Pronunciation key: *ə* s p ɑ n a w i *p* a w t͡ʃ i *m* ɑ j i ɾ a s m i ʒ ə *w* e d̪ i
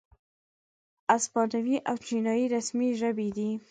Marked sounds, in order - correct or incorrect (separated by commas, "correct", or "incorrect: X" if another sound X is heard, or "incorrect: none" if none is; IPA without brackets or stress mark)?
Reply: incorrect: a, incorrect: ʔ, incorrect: n, incorrect: b